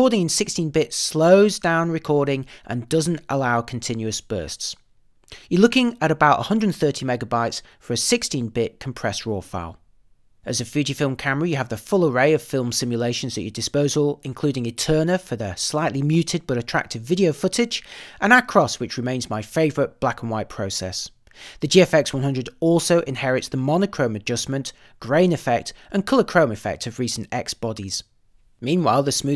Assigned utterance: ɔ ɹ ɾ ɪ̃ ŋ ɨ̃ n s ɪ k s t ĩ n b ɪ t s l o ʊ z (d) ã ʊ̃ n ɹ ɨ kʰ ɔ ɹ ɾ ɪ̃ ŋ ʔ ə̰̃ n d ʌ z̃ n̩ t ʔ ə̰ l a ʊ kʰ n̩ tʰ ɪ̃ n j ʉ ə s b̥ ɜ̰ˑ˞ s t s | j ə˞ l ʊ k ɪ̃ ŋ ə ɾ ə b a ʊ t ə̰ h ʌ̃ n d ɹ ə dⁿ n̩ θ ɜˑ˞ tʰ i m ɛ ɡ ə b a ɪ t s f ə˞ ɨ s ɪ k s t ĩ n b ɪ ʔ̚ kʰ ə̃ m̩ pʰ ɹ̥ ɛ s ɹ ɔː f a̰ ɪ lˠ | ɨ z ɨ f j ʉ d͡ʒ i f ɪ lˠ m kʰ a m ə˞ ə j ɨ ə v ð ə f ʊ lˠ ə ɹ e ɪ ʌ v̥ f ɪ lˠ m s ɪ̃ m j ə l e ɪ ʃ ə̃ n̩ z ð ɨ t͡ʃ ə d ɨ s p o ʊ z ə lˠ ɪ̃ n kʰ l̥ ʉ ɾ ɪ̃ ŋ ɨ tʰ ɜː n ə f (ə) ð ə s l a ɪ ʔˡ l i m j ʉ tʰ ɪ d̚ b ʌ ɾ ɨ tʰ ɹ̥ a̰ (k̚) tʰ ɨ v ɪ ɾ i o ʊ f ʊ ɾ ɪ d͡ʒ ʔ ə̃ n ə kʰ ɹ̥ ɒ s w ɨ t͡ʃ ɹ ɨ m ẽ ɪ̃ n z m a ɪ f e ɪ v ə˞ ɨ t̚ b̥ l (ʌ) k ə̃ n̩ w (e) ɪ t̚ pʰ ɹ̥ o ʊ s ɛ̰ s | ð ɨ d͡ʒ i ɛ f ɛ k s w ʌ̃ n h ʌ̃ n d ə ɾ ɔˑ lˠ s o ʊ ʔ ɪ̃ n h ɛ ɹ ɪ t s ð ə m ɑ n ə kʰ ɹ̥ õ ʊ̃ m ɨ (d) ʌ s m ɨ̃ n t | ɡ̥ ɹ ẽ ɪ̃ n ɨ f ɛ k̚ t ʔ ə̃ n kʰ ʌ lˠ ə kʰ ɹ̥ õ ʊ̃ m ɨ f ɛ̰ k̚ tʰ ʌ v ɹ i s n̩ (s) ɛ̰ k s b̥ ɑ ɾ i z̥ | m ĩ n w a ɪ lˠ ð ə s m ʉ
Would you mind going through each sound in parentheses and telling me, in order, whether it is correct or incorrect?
correct, correct, correct, incorrect: a, incorrect: a, incorrect: d͡ʒ, incorrect: t

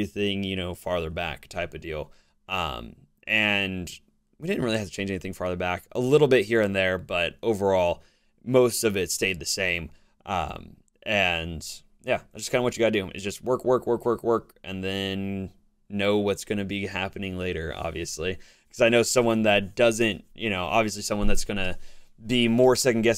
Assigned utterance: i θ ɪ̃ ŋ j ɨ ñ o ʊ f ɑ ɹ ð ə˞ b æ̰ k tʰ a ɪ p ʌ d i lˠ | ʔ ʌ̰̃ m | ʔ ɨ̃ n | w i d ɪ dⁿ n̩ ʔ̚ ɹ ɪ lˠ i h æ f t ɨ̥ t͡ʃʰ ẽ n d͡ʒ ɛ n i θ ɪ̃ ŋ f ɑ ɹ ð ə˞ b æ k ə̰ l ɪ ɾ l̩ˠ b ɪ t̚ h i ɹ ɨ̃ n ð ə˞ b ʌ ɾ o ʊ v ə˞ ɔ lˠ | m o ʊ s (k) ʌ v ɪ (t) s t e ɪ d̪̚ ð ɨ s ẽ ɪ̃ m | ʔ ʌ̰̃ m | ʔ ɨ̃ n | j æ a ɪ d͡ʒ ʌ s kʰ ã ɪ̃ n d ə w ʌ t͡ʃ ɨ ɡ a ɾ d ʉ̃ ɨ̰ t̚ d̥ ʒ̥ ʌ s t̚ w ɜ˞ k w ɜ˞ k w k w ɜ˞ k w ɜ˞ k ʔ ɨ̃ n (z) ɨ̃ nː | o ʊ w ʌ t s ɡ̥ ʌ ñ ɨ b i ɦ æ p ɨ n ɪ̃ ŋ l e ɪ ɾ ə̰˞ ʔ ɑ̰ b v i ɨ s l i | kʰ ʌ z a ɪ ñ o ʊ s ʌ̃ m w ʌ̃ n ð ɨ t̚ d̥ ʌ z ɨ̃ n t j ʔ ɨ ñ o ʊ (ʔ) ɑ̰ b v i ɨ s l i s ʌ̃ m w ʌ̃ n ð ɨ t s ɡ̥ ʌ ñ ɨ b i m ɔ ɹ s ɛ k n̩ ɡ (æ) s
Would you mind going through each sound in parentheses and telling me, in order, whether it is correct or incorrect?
incorrect: t, correct, incorrect: ð, correct, incorrect: ɛ

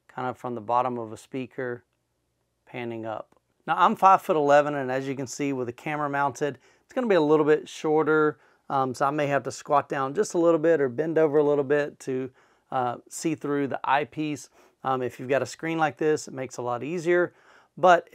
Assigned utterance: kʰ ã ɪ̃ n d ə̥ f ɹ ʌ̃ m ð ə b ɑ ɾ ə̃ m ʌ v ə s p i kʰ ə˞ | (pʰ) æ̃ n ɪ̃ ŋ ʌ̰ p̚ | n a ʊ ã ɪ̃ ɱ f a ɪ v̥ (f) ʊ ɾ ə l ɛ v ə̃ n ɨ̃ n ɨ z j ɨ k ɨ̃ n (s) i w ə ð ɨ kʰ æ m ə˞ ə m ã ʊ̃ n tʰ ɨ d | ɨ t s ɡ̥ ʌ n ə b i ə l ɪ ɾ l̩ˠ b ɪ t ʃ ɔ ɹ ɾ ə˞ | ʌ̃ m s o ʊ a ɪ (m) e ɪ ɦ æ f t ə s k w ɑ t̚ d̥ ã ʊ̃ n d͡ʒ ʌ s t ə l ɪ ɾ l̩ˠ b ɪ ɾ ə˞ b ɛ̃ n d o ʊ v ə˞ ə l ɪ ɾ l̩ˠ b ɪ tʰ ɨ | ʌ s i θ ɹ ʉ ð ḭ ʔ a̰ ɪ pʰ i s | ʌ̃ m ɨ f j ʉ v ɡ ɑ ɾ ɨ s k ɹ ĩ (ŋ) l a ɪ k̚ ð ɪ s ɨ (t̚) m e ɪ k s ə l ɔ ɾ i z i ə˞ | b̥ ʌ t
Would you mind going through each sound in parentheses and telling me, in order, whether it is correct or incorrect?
correct, correct, correct, correct, incorrect: n, correct

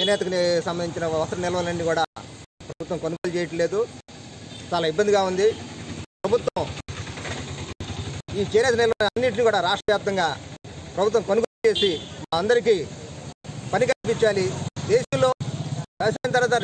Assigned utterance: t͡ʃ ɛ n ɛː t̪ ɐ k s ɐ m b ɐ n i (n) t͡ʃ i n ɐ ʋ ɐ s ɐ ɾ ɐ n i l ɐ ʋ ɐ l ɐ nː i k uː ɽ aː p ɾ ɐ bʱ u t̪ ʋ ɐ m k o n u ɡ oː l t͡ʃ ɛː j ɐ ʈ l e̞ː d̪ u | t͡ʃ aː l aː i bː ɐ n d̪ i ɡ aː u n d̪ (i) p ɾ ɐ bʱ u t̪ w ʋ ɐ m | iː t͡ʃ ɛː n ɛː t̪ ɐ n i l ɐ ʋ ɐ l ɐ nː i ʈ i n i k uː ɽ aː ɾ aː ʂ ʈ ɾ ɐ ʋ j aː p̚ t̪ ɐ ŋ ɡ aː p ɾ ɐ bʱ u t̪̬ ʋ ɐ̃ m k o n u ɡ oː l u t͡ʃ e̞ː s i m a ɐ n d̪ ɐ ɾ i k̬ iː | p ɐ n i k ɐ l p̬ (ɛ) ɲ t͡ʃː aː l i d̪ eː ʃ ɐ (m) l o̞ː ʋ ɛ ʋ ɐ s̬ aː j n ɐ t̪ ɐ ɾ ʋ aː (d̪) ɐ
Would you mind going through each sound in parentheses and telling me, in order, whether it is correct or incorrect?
incorrect: ɲ, correct, incorrect: i, correct, incorrect: t̪

